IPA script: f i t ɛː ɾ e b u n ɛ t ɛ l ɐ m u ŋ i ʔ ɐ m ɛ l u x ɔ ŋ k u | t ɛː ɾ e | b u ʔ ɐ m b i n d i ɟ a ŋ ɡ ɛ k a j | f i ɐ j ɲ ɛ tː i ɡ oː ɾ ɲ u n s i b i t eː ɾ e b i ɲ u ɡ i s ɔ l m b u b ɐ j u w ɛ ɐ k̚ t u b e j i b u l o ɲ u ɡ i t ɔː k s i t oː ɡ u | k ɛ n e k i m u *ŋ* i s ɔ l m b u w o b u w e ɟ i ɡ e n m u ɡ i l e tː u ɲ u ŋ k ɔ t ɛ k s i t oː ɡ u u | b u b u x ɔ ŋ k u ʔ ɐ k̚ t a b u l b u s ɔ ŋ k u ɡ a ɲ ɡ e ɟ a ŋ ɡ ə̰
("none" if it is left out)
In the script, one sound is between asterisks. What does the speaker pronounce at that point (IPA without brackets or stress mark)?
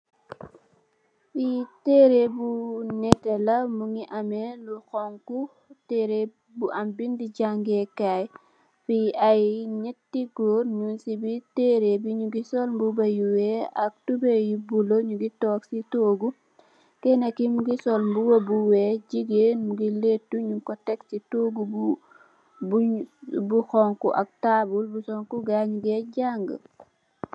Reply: ɡ